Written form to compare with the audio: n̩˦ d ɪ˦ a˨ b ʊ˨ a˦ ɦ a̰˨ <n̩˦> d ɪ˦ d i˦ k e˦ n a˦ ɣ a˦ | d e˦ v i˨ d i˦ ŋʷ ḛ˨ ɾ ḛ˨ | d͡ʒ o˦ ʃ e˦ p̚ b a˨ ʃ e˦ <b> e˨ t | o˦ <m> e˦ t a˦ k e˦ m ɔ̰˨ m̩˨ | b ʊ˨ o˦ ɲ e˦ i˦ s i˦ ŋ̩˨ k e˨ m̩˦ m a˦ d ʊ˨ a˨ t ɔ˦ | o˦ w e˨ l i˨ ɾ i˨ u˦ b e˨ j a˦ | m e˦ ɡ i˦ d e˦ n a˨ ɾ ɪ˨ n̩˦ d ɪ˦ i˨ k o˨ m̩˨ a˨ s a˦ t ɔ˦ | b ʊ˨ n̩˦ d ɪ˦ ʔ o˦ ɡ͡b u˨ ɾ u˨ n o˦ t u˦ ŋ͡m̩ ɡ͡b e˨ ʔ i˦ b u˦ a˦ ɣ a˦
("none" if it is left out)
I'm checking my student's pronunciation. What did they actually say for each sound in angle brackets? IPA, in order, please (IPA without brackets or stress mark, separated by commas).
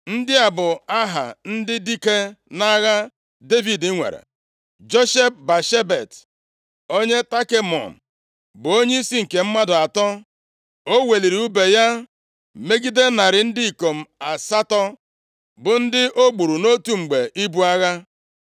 n̩˦, b, ɲ